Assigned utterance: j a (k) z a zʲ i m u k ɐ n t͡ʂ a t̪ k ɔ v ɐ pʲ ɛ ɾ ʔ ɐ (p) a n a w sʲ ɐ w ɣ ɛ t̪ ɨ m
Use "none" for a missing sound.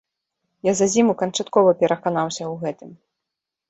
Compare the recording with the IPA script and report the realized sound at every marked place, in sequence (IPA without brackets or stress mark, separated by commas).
none, k